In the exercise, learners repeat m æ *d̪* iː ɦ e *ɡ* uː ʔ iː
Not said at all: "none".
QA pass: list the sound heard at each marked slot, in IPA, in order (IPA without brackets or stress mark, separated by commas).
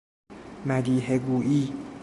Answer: d̪, ɡ